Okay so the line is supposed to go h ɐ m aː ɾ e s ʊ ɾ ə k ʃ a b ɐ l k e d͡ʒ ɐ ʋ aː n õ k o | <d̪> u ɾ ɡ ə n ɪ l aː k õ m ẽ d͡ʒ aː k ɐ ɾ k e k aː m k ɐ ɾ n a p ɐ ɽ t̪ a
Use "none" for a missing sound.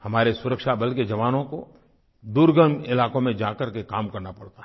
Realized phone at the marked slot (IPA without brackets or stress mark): d̪